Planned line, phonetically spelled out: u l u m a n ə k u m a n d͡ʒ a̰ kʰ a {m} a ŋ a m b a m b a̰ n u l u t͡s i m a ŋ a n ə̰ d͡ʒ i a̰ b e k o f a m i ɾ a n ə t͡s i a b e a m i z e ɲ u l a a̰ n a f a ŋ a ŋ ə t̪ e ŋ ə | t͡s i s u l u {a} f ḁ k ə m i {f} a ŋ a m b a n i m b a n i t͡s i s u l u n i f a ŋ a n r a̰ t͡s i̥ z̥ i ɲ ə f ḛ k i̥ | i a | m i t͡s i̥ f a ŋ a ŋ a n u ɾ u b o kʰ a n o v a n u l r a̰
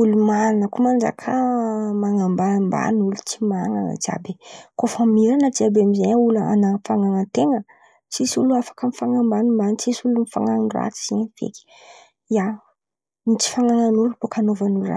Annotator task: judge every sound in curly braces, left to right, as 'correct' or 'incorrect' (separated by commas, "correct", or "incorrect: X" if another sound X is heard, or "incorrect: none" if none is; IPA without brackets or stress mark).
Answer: correct, correct, correct